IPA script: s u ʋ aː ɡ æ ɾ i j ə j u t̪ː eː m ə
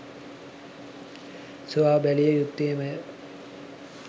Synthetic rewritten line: s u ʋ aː b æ l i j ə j u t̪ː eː m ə